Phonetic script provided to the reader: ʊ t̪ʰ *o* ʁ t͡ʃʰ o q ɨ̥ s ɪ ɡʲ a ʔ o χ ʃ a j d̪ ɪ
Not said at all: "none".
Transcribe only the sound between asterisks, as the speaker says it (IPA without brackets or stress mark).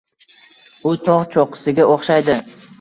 ɒ